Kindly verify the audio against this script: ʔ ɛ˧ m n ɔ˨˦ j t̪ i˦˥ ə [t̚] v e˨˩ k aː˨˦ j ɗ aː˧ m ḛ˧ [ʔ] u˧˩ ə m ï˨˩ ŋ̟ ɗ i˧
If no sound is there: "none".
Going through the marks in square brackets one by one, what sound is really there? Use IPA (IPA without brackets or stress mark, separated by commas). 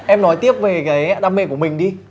p̚, k